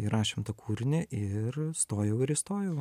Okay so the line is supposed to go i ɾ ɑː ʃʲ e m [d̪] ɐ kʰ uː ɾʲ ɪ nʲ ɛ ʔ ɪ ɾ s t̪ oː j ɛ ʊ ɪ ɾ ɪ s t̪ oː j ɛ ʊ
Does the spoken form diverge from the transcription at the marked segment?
yes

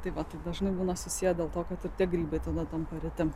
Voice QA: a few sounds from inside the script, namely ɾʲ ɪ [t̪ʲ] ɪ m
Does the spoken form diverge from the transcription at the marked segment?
no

